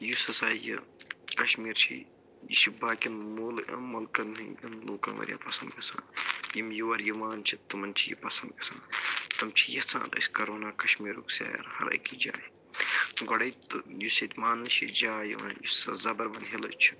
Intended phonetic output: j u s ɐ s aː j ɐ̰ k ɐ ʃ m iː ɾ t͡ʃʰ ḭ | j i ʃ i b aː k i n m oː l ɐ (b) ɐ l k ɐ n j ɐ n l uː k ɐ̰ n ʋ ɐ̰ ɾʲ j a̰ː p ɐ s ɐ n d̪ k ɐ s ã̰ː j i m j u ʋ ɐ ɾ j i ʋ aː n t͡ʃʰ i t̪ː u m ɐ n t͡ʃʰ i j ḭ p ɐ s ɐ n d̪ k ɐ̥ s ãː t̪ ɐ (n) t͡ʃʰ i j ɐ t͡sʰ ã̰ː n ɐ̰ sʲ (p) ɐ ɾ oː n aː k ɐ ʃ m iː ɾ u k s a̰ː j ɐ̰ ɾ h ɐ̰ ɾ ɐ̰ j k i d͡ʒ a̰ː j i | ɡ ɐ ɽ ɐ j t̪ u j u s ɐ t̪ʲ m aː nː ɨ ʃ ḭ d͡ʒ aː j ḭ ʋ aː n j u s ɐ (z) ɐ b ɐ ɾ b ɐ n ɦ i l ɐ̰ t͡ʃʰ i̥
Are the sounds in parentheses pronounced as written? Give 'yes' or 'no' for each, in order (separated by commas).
no, no, no, yes